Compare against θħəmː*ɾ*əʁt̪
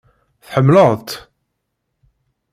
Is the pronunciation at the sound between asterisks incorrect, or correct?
incorrect